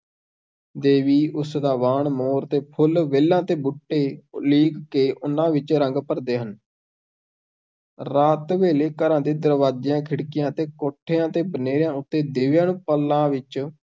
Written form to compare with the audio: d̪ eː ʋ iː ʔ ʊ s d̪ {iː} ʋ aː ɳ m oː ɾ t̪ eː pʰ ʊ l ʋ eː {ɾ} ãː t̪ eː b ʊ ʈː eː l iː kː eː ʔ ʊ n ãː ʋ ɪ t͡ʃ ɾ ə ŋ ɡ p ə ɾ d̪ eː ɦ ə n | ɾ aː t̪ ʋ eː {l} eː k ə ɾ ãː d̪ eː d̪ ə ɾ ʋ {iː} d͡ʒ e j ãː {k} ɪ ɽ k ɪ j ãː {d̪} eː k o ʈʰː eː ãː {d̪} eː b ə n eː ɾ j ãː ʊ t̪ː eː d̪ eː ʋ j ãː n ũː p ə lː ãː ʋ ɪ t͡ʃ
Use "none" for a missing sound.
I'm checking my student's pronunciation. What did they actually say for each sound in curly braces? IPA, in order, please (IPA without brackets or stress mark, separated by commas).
aː, l, l, aː, kʰ, t̪, t̪